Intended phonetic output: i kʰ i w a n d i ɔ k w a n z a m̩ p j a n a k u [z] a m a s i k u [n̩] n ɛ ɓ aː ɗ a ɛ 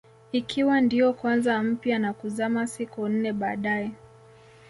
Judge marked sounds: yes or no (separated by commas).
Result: yes, yes